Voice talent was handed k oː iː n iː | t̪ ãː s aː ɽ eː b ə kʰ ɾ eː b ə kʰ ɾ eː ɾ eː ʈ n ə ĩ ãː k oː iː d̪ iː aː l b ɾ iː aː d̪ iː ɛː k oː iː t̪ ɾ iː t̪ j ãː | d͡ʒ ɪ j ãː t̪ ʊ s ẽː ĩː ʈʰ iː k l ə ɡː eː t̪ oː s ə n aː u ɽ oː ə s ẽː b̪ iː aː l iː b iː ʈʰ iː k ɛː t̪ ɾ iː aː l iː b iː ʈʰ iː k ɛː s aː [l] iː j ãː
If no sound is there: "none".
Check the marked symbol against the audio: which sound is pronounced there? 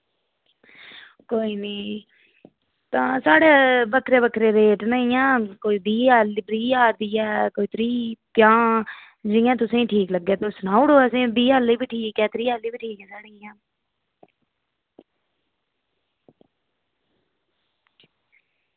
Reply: ɽ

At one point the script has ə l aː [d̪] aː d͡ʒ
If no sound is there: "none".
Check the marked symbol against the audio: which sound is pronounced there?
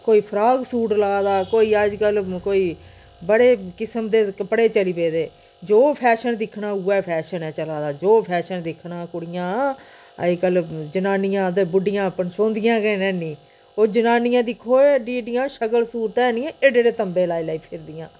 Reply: d̪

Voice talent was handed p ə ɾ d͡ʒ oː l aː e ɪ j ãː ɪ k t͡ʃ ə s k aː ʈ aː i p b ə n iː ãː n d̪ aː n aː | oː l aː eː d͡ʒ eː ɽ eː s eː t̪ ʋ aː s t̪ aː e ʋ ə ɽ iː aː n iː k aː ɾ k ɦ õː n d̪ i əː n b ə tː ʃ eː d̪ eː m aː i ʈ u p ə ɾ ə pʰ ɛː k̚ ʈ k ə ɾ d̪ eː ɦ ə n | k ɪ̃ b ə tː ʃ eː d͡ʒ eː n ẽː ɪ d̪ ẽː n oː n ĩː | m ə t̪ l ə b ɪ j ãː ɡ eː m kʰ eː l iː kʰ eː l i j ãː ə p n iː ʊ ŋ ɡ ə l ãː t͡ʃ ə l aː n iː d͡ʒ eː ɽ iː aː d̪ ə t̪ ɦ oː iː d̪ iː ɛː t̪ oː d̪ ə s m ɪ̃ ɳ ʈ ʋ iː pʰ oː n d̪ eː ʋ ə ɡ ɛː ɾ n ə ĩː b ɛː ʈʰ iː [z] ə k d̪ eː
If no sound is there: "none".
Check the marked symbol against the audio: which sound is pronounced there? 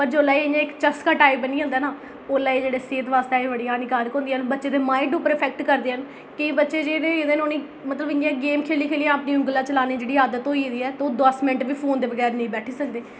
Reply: s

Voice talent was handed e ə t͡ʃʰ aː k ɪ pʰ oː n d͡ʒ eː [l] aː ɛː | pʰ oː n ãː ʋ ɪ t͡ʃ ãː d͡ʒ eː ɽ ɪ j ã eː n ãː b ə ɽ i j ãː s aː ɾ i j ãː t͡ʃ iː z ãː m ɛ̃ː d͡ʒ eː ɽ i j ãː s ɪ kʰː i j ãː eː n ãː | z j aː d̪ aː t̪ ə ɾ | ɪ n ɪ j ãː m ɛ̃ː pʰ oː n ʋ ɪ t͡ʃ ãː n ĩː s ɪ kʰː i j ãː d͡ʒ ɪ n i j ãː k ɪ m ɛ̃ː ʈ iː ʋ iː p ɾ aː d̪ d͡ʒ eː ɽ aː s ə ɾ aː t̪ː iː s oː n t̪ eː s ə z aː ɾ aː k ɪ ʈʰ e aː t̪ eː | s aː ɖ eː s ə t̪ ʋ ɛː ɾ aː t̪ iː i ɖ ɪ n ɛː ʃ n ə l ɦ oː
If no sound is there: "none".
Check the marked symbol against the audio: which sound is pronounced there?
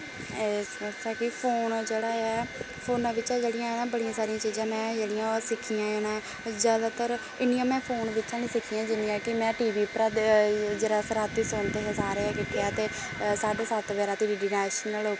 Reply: ɽ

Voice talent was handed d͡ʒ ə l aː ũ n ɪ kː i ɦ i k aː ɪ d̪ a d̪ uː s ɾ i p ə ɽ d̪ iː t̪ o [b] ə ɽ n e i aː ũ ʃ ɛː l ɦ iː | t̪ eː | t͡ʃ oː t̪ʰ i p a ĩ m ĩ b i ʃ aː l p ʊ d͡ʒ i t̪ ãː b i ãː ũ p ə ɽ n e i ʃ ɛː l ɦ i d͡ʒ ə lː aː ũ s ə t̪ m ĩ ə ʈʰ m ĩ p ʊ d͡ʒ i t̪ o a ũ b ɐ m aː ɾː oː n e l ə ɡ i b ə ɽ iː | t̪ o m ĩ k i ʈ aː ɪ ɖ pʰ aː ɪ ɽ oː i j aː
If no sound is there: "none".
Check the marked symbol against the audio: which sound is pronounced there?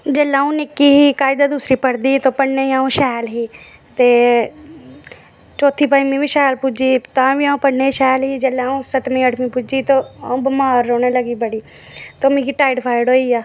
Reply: p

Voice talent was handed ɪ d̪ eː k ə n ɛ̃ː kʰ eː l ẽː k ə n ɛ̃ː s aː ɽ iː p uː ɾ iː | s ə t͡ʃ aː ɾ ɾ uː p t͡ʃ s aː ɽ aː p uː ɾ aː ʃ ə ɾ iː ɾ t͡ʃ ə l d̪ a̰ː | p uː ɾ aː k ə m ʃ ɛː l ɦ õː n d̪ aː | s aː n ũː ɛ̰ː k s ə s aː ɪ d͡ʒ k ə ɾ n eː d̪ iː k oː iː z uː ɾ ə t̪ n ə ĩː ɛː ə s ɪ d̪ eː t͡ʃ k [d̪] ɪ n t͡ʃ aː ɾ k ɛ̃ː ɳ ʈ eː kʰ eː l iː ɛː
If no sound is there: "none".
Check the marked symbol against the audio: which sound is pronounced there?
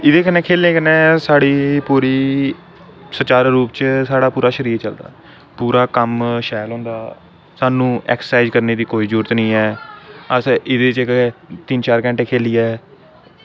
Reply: t̪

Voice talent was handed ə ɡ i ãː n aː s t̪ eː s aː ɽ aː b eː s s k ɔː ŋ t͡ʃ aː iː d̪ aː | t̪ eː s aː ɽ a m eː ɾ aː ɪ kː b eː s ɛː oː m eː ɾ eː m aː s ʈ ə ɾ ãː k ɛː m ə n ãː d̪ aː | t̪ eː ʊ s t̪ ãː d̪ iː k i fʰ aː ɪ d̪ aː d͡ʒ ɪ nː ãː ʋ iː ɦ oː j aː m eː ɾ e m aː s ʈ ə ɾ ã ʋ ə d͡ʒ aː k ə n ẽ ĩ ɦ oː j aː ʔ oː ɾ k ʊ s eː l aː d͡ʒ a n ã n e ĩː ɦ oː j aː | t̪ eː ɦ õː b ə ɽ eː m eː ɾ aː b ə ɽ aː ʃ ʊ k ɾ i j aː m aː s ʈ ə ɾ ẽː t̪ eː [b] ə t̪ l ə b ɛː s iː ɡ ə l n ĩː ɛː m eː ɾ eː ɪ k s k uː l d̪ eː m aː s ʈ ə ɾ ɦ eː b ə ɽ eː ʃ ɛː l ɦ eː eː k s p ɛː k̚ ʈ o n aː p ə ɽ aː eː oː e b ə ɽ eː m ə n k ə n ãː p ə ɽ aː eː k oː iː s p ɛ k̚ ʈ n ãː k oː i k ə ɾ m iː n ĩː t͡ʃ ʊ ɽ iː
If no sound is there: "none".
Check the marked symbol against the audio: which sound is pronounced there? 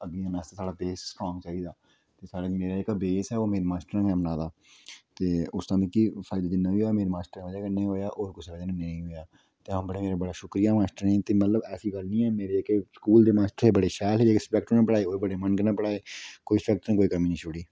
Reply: m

